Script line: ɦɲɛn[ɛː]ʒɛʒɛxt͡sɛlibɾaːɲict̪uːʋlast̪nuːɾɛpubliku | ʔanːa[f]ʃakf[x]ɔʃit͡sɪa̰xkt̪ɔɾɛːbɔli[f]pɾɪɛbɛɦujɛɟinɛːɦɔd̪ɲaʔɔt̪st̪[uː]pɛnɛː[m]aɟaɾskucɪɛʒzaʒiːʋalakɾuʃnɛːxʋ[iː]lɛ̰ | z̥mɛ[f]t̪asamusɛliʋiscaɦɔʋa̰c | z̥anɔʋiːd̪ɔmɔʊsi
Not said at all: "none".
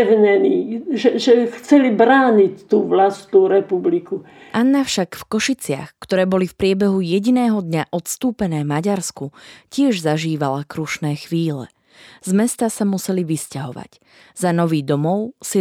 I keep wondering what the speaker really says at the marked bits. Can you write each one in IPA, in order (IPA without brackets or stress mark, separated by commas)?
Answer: iː, f, k, f, uː, m, iː, s